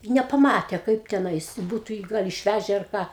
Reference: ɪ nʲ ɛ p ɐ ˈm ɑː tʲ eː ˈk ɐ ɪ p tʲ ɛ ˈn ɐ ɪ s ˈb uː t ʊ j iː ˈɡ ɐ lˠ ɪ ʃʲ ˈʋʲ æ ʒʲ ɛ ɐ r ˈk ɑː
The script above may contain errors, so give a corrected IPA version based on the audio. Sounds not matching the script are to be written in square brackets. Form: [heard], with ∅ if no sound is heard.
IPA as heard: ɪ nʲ ɛ p ɐ ˈm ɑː tʲ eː ˈk ɐ ɪ p tʲ ɛ ˈn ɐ ɪ s ˈb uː t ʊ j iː ˈɡ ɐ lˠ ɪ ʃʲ ˈʋʲ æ ʒʲ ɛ ɐ r ˈk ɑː